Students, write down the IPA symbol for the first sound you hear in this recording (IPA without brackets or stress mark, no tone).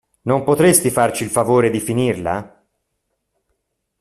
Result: n